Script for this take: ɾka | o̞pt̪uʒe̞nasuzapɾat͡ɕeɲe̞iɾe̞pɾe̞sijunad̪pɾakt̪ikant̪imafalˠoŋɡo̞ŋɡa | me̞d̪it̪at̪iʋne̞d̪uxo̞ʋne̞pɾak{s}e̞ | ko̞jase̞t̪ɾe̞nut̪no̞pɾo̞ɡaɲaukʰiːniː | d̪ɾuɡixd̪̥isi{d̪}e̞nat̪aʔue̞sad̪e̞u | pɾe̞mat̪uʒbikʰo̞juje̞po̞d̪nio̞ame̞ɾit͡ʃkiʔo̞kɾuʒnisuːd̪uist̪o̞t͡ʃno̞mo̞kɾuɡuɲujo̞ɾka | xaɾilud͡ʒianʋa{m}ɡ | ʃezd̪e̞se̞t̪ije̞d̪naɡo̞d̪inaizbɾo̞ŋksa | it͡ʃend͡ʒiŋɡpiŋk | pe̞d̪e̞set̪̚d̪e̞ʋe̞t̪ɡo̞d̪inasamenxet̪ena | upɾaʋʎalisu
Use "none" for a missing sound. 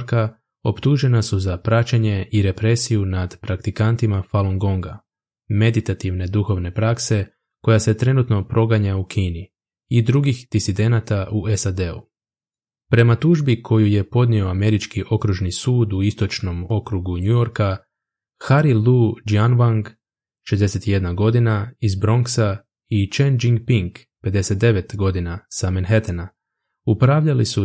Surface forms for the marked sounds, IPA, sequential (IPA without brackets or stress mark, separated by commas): s, d̪, ŋ